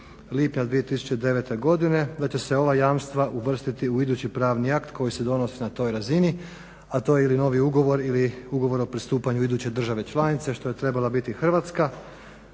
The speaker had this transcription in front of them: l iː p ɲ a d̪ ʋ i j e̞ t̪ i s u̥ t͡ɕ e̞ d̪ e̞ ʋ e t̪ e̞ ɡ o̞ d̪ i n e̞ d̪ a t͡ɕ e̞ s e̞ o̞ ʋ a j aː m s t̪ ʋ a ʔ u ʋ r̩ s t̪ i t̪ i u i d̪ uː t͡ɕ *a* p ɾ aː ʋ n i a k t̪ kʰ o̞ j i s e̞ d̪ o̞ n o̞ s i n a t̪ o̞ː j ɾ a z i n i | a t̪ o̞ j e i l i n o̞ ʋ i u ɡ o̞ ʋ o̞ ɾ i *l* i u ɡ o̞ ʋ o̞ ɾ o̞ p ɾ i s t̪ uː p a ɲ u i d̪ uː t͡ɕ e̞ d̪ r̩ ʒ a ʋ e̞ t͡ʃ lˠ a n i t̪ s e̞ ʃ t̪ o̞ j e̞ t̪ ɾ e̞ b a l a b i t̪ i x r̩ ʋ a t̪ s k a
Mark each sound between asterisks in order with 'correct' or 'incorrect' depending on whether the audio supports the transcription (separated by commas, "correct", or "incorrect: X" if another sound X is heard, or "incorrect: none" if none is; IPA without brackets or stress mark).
incorrect: i, correct